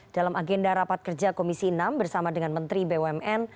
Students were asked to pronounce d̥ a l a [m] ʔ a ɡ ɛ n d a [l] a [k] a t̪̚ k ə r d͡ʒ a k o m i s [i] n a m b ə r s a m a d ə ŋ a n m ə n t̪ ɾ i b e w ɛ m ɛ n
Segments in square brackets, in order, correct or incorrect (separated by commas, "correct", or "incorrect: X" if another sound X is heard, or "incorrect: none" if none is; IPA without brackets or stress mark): correct, incorrect: ɾ, incorrect: p, correct